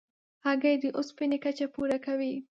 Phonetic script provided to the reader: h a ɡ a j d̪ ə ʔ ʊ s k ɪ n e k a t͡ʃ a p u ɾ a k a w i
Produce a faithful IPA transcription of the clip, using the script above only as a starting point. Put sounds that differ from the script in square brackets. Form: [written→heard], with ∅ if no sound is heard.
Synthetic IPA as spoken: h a ɡ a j d̪ ə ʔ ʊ s [k→p] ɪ n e k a t͡ʃ a p u ɾ a k a w i